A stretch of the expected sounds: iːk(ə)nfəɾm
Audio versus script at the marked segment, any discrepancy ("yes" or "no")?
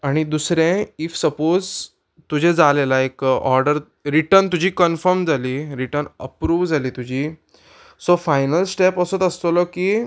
no